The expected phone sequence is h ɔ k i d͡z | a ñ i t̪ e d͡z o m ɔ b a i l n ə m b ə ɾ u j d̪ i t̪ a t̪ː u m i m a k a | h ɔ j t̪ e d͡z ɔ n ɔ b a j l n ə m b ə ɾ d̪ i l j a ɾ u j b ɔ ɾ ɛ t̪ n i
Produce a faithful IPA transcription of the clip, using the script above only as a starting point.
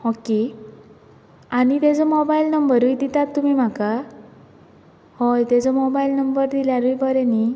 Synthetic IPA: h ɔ k i | a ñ i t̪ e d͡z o m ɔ b a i l n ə m b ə ɾ u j d̪ i t̪ a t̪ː u m i m a k a | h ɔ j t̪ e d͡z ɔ m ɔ b a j l n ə m b ə ɾ d̪ i l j a ɾ u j b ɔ ɾ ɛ n i